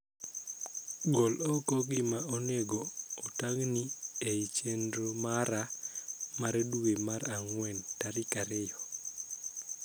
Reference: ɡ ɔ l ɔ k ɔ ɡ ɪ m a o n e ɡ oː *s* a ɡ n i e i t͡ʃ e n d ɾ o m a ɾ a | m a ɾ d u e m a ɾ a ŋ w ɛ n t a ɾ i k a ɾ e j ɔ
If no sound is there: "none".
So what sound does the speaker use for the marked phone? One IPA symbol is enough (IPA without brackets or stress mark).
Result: t